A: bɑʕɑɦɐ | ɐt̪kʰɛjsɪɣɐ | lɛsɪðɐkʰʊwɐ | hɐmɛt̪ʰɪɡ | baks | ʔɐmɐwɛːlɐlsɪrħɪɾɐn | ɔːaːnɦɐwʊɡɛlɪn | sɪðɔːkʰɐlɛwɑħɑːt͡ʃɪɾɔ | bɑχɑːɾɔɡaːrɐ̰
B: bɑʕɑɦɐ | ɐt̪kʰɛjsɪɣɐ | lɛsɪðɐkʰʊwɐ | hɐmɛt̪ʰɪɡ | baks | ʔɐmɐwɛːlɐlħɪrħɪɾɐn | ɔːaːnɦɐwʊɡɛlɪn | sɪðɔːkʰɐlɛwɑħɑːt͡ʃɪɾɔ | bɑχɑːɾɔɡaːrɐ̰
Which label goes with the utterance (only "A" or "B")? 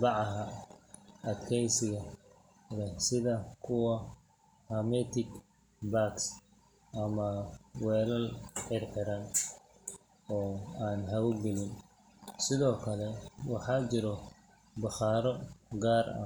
B